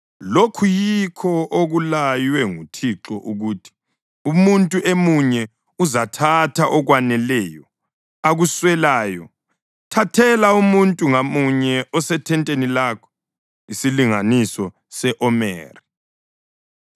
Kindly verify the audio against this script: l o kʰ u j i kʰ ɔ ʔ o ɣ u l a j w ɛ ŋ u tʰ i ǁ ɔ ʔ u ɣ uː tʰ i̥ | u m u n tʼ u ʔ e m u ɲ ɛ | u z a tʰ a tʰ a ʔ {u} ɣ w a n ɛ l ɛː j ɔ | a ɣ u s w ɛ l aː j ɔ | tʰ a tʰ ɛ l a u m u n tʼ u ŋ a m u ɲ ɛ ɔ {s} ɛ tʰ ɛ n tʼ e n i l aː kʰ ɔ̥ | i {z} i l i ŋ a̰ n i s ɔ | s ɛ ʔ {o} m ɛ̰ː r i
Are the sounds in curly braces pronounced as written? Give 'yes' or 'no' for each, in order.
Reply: no, yes, no, no

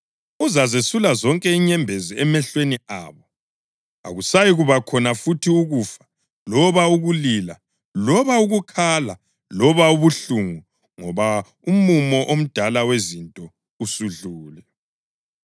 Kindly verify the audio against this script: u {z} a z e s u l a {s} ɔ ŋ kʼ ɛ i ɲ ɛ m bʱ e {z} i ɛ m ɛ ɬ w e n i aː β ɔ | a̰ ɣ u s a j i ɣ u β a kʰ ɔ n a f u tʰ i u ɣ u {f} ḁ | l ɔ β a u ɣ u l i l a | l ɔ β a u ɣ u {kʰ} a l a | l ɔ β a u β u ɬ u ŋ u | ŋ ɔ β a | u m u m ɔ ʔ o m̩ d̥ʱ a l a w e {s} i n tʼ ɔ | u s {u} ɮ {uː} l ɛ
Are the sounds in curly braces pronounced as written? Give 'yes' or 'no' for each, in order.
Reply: yes, no, yes, yes, yes, no, yes, yes

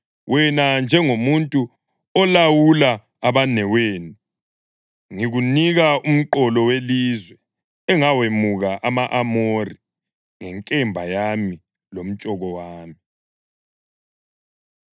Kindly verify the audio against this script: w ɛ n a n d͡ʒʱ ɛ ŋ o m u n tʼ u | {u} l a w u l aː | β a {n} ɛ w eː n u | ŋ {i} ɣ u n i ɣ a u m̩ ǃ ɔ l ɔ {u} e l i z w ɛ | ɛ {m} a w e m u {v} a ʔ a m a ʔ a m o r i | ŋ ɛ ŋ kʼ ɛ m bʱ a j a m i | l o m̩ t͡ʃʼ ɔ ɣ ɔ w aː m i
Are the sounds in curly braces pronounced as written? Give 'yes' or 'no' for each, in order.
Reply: no, yes, yes, no, no, no

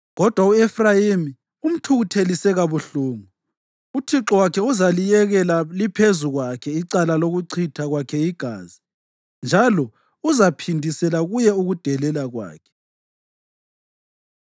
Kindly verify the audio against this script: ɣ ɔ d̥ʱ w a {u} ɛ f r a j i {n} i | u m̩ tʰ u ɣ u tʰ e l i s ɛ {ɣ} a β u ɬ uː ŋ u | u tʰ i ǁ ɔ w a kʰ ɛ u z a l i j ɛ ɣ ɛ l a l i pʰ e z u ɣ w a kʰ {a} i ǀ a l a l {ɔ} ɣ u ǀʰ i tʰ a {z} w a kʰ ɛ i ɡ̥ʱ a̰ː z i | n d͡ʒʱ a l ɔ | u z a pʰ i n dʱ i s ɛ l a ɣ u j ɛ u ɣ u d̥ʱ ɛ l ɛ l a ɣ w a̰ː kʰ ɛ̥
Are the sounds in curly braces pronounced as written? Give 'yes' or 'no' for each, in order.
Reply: yes, no, yes, no, no, no

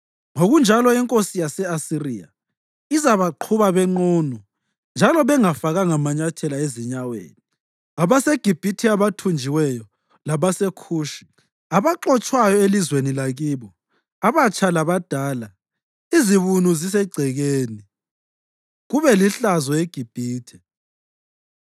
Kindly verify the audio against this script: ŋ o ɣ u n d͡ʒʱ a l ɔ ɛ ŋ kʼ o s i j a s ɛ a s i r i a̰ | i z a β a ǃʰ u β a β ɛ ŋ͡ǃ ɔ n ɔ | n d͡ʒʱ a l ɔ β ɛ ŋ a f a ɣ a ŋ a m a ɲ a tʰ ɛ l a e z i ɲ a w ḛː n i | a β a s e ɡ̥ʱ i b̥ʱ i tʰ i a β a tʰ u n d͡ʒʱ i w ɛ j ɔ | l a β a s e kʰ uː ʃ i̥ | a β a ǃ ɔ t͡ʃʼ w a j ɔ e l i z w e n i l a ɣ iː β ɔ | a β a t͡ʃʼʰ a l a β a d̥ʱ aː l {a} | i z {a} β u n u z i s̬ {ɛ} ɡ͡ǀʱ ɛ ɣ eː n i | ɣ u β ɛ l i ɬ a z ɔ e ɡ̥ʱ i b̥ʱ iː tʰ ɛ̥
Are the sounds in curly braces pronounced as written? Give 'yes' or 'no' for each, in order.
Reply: yes, no, yes

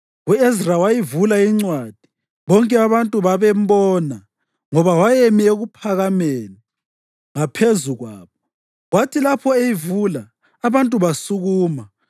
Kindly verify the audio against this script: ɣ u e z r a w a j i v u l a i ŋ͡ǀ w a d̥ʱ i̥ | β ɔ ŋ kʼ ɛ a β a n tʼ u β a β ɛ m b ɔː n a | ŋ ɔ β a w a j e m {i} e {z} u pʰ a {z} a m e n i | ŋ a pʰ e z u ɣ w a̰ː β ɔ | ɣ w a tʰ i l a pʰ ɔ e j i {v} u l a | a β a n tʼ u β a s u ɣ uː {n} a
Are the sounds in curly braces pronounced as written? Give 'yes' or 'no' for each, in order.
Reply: yes, no, no, yes, no

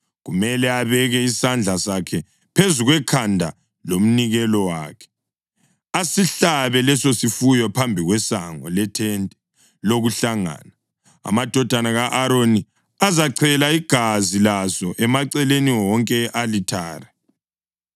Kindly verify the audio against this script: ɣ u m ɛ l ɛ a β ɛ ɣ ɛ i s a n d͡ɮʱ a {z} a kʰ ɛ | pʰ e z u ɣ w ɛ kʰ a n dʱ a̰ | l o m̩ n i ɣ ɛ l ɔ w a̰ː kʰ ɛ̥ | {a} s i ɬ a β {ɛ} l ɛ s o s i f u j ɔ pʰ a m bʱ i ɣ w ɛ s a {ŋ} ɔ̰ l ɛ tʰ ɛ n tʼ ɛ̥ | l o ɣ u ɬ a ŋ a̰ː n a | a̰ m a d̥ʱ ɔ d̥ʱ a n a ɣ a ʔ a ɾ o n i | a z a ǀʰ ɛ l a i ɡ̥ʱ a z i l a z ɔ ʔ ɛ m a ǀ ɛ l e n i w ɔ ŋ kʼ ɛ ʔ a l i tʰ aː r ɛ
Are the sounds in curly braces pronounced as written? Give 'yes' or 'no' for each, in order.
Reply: no, yes, yes, yes

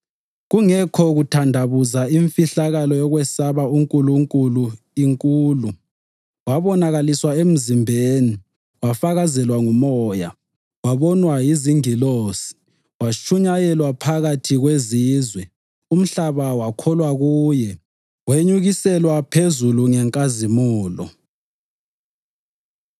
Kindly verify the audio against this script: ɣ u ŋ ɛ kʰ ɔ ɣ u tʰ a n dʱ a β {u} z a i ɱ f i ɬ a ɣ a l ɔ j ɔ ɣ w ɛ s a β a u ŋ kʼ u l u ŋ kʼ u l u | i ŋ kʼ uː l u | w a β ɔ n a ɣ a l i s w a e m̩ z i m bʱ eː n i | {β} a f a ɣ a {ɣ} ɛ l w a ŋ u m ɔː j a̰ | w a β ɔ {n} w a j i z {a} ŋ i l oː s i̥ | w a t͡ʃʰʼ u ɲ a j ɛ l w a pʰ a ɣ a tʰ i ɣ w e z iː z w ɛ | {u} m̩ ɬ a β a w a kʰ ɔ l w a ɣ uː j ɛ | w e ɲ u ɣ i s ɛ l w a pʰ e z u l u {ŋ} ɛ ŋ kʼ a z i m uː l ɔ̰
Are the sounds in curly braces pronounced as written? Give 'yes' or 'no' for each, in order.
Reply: yes, no, no, yes, no, yes, yes

